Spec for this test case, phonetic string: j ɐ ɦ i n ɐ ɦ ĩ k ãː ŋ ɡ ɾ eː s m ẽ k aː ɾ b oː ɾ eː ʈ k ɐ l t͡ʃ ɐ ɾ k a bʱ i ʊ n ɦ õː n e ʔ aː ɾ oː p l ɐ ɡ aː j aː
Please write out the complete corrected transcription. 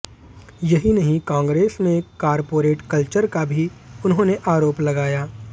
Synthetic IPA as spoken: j ɐ ɦ i n ɐ ɦ ĩ k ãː ŋ ɡ ɾ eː s m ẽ k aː ɾ p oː ɾ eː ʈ k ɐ l t͡ʃ ə ɾ k a bʱ i ʊ n ɦ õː n e ʔ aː ɾ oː p l ɐ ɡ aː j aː